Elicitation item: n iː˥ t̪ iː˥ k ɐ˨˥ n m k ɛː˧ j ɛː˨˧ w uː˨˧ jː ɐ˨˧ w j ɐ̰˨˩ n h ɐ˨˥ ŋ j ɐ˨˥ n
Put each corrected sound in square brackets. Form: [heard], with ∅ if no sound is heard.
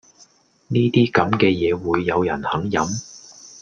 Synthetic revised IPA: n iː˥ t̪ iː˥ k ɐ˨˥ [∅] m k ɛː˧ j ɛː˨˧ w uː˨˧ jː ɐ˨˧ w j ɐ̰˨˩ n h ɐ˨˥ ŋ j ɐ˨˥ [m]